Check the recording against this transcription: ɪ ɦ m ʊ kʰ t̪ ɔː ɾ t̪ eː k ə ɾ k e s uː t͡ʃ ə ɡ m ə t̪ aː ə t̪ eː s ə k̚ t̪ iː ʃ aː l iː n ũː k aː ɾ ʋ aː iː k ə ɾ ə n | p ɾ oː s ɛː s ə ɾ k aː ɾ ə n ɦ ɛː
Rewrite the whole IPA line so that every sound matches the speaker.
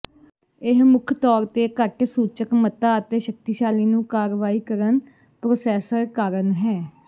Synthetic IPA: ɪ ɦ m ʊ kʰ t̪ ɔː ɾ t̪ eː k ə ɾ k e s uː t͡ʃ ə k m ə t̪ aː ə t̪ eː ʃ ə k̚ t̪ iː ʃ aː l iː n ũː k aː ɾ ʋ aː iː k ə ɾ ə n | p ɾ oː s ɛː s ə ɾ k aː ɾ ə n ɦ ɛː